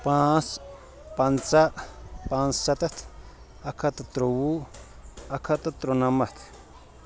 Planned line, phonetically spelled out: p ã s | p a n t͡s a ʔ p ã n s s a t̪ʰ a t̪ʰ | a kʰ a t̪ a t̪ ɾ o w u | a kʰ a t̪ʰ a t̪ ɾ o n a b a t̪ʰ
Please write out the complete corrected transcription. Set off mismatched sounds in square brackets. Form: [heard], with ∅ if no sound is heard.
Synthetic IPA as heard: p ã s | p a n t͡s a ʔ p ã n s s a [t̪] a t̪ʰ | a kʰ a t̪ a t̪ ɾ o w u | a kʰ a [t̪] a t̪ ɾ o n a [m] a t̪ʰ